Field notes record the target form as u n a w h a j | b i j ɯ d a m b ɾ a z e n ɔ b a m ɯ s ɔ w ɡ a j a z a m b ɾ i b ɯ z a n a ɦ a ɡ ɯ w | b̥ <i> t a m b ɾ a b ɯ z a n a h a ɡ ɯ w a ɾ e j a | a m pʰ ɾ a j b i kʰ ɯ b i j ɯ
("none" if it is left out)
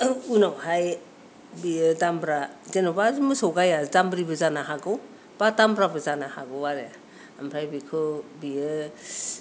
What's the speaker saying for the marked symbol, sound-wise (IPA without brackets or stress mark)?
a